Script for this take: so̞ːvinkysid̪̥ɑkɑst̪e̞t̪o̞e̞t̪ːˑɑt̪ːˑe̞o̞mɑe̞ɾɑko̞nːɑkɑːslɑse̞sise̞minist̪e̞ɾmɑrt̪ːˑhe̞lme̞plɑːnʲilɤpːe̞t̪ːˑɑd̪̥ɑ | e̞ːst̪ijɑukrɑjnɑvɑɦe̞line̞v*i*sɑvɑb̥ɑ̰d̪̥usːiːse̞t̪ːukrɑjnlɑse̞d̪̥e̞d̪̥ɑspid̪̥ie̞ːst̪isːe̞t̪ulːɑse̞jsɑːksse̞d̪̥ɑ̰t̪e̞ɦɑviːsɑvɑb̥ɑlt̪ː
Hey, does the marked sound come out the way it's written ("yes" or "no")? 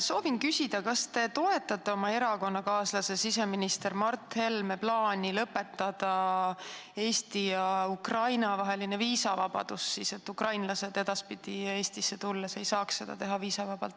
no